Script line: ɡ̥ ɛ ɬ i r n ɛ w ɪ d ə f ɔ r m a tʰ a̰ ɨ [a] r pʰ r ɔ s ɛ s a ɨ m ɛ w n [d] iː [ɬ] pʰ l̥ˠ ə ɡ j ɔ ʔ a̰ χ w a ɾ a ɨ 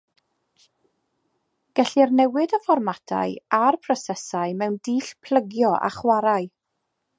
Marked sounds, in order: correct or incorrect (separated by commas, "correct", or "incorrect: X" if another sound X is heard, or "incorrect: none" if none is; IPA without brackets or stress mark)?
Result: correct, correct, correct